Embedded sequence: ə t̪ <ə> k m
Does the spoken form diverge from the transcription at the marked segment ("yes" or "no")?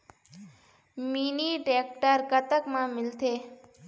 no